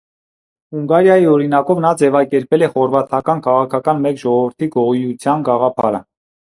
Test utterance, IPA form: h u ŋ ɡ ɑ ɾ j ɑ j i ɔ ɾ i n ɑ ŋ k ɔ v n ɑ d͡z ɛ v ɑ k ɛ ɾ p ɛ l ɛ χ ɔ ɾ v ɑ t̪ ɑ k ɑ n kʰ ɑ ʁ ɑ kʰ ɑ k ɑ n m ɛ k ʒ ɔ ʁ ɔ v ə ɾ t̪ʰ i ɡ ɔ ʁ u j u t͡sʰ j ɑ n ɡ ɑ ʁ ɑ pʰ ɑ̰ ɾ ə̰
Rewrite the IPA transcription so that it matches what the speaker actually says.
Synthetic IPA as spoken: h u ŋ ɡ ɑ ɾ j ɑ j i ɔ ɾ i n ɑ k ɔ v n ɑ d͡z ɛ v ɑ k ɛ ɾ p ɛ l ɛ χ ɔ ɾ v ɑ t̪ʰ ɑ k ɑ n kʰ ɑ ʁ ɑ kʰ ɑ k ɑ n m ɛ k ʒ ɔ ʁ ɔ v ə ɾ t̪ʰ i ɡ ɔ ʁ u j u t͡sʰ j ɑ n ɡ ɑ ʁ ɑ pʰ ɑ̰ ɾ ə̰